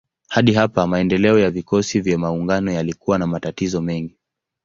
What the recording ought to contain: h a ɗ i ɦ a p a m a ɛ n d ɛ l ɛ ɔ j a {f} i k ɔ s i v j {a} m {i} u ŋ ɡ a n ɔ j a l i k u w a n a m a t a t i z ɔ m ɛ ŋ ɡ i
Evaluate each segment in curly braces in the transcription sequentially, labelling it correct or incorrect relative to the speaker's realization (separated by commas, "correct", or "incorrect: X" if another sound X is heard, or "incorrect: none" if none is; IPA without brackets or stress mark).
incorrect: v, correct, incorrect: a